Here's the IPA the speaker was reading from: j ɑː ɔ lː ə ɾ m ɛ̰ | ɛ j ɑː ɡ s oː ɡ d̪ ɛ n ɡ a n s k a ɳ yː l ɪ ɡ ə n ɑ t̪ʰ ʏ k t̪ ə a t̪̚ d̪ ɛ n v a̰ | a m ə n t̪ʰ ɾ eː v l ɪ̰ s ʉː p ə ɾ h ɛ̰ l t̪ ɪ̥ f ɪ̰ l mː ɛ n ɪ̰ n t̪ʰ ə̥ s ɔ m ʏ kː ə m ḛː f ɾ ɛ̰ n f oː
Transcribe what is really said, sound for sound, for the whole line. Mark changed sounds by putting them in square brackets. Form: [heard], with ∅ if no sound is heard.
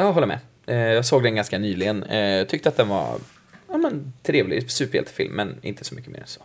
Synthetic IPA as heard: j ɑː ɔ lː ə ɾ m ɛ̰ | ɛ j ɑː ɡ s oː ɡ d̪ ɛ n ɡ a n s k a [n] yː l ɪ ɡ ə n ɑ t̪ʰ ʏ k t̪ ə a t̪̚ d̪ ɛ n v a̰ | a m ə n t̪ʰ ɾ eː v l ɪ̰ s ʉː p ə ɾ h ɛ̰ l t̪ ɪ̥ f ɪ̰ l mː ɛ n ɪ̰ n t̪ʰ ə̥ s ɔ m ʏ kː ə m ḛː [∅] ɾ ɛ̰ n [s] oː